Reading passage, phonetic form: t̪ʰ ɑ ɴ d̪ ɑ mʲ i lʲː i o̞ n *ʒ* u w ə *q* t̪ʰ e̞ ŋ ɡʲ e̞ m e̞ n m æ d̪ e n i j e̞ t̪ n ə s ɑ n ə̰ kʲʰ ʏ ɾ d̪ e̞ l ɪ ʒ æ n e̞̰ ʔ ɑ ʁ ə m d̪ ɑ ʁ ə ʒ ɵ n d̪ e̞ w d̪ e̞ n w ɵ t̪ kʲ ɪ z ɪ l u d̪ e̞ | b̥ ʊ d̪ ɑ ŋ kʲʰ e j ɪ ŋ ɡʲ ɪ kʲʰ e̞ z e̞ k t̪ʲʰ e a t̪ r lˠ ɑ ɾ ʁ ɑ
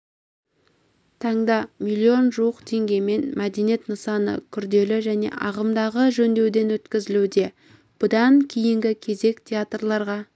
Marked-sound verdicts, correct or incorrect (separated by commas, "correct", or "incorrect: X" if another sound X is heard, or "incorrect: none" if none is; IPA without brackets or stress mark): correct, correct